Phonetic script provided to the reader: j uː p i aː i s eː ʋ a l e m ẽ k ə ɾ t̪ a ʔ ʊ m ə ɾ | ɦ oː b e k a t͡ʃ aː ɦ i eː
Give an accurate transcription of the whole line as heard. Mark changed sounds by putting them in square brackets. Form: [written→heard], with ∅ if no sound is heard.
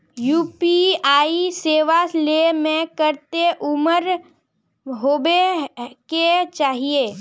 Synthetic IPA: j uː p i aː i s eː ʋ a l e m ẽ k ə ɾ t̪ [a→e] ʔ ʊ m ə ɾ | ɦ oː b e k [a→e] t͡ʃ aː ɦ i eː